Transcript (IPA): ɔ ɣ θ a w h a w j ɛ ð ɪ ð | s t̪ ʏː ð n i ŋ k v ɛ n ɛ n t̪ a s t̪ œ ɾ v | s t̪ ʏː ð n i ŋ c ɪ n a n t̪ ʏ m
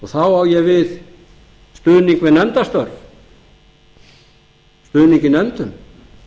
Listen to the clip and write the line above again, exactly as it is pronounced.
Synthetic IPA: ɔ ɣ θ a w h a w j ɛ v ɪ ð | s t̪ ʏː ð n i ŋ k v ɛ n ɛ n t̪ a s t̪ œ ɾ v | s t̪ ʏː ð n i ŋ c ɪ n ɛ n t̪ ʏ m